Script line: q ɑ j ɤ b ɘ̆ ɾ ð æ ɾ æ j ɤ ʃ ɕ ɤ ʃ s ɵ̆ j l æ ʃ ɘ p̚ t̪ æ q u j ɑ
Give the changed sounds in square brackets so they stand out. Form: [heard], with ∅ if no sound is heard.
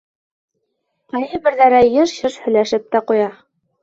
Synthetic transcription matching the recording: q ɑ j ɤ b ɘ̆ ɾ ð æ ɾ æ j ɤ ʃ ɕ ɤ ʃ [h] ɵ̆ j l æ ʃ ɘ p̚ t̪ æ q u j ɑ